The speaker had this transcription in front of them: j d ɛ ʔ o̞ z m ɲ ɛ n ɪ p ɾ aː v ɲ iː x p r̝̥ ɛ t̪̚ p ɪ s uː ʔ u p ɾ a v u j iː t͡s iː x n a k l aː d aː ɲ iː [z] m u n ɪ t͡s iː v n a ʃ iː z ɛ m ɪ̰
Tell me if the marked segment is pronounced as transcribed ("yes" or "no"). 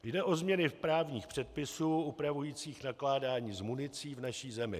yes